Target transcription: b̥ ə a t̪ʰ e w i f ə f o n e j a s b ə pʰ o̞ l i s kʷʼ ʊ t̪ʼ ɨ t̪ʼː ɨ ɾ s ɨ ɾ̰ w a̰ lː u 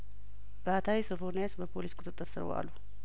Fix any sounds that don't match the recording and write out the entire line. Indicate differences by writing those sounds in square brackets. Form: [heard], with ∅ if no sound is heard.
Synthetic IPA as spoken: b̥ ə a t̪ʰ [a] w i [s] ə f o n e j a s b ə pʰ o̞ l i s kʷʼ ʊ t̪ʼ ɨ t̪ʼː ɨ ɾ s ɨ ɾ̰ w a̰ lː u